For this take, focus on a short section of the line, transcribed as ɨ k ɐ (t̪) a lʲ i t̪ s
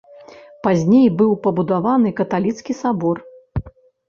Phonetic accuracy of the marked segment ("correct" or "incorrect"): correct